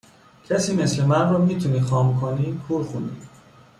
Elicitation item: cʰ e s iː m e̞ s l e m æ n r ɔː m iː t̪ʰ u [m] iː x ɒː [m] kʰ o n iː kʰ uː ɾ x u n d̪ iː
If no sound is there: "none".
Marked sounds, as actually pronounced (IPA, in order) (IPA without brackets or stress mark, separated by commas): n, m